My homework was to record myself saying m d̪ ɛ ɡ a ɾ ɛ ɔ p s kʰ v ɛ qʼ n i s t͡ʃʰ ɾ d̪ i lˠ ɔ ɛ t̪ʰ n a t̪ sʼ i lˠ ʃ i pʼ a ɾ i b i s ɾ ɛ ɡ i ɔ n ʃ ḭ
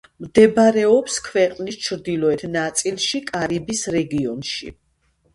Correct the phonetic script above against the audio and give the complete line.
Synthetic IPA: m d̪ ɛ b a ɾ ɛ ɔ p s kʰ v ɛ qʼ n i s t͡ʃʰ ɾ d̪ i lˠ ɔ ɛ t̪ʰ n a t̪ sʼ i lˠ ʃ i kʼ a ɾ i b i s ɾ ɛ ɡ i ɔ n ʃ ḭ